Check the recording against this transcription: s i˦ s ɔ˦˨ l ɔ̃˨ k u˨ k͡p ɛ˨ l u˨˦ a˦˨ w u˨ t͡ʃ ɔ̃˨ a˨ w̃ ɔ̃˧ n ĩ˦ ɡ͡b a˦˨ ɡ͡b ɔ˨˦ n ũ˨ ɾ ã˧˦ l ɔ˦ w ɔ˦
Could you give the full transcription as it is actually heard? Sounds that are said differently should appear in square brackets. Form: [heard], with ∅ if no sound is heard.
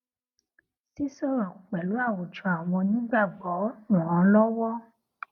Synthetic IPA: s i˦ s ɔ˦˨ [ɾ] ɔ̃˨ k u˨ k͡p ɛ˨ l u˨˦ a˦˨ w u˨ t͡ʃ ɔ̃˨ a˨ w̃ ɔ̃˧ n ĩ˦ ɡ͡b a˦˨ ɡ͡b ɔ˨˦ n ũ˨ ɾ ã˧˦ l ɔ˦ w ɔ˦